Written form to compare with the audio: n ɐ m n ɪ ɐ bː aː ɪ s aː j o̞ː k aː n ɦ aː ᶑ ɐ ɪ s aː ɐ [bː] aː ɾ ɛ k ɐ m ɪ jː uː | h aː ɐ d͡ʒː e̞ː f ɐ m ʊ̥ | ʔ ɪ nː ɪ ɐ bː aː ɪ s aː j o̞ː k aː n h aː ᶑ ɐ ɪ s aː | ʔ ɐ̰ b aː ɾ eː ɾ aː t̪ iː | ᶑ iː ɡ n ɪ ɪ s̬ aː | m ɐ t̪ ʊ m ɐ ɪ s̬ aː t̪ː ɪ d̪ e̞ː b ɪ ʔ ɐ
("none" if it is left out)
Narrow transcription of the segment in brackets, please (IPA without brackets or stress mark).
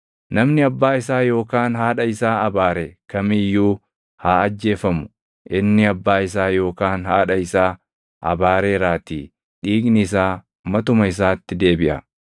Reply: b